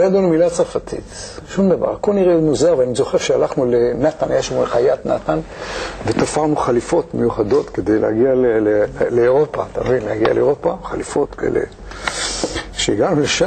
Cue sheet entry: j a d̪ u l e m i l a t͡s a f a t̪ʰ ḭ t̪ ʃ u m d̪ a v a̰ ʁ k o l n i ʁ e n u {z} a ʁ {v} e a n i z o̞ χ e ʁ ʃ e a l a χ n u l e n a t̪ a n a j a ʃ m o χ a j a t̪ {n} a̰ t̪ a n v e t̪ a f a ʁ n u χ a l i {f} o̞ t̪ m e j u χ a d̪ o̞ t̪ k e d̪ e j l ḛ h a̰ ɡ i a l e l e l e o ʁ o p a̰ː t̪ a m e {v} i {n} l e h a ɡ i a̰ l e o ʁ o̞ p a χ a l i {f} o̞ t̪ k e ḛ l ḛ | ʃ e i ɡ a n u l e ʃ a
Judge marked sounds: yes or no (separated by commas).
yes, yes, yes, yes, yes, yes, yes